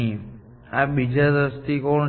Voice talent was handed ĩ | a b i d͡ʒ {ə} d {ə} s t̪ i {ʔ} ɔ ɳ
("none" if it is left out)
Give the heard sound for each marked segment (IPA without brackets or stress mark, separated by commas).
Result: a, ə, k